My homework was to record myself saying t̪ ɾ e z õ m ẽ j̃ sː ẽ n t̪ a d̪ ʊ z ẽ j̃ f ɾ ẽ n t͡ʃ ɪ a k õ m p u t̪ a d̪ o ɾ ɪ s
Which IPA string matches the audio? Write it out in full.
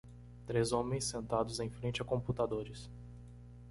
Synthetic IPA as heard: t̪ ɾ e z õ m ẽ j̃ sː ẽ n t̪ a d̪ ʊ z ẽ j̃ f ɾ ẽ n t͡ʃ ɪ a k õ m p u t̪ a d̪ o ɾ ɪ s